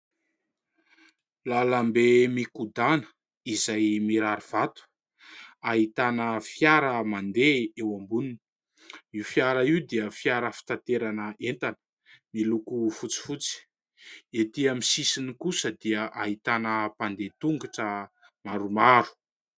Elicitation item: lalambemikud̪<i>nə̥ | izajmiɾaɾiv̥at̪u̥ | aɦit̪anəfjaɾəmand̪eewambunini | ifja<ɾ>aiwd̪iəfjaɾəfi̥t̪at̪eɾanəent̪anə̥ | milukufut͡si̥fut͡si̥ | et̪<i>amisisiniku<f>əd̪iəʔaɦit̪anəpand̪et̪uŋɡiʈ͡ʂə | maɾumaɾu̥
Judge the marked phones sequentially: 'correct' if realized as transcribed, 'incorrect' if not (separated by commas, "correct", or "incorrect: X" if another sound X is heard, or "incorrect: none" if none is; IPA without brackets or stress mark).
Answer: incorrect: a, correct, correct, incorrect: s